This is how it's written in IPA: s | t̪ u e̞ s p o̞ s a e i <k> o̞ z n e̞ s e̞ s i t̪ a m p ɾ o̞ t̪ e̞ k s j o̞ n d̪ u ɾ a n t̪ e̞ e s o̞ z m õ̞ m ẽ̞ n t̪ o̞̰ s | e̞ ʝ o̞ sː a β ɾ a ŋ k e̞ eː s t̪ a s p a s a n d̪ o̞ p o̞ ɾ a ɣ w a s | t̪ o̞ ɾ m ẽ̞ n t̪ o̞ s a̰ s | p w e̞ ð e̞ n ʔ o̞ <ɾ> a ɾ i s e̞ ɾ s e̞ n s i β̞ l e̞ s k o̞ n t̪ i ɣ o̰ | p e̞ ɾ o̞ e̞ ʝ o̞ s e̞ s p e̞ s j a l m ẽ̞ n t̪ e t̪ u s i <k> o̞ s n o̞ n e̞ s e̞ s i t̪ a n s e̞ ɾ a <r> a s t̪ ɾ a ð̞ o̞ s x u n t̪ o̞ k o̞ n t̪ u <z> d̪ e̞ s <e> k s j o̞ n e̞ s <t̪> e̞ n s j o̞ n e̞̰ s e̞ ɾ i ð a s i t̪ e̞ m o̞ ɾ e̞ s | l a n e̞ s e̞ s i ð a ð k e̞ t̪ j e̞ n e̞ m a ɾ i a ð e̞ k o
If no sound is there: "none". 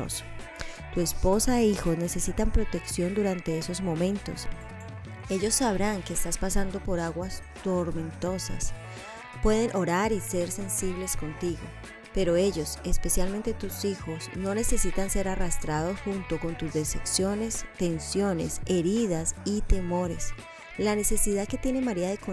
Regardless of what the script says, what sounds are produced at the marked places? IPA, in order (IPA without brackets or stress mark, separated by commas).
x, ɾ, x, r, z, e, t̪